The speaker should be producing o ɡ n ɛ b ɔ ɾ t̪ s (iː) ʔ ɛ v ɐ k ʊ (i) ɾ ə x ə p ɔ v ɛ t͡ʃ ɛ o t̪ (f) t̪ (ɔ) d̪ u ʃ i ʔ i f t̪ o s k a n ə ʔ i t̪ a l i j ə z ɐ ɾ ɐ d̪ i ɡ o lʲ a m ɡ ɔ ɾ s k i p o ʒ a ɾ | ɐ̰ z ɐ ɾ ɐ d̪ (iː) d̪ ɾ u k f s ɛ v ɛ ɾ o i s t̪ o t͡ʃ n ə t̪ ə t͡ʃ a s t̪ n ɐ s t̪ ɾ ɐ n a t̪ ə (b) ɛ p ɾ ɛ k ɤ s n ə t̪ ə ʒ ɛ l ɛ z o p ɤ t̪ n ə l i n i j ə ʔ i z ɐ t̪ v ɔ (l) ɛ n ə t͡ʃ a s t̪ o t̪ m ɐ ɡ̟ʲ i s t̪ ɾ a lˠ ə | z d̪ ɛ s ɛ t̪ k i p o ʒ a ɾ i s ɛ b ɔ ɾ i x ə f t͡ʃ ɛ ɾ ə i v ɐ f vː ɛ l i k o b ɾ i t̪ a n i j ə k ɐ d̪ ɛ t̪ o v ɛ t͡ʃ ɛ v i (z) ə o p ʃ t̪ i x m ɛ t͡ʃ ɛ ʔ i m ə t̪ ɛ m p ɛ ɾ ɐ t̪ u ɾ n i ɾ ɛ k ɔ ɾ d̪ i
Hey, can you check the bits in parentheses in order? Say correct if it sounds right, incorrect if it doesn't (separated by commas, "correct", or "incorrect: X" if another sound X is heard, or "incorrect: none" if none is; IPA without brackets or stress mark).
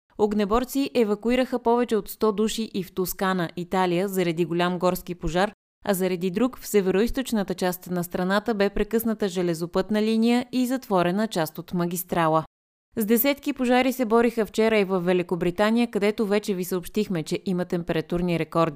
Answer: incorrect: i, correct, incorrect: s, correct, incorrect: i, correct, incorrect: ɾ, incorrect: s